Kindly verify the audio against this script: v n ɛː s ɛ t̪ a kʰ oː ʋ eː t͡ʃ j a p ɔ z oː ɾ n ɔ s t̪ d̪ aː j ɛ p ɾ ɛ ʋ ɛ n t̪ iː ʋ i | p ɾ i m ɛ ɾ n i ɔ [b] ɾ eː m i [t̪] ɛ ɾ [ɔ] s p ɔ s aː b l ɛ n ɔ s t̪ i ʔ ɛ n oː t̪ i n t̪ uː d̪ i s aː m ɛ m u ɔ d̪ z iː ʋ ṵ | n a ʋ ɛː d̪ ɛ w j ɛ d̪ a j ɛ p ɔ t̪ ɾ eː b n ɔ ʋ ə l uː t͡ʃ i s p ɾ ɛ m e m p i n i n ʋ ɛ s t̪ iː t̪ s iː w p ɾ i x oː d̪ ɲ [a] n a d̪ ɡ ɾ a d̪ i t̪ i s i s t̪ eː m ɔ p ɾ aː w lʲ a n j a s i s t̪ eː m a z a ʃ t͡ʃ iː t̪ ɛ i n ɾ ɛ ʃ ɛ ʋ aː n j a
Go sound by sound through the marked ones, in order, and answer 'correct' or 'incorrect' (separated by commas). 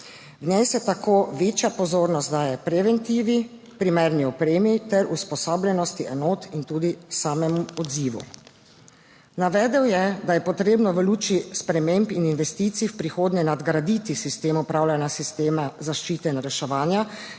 incorrect, correct, incorrect, incorrect